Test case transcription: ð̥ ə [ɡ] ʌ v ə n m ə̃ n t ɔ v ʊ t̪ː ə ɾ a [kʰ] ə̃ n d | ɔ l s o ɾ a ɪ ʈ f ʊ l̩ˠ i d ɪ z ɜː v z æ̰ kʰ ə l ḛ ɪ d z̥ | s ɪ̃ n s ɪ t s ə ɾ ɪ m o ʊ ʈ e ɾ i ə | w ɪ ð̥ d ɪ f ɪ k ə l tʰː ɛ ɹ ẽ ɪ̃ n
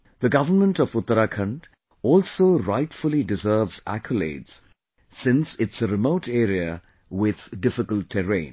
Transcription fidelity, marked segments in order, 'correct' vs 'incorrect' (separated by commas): correct, correct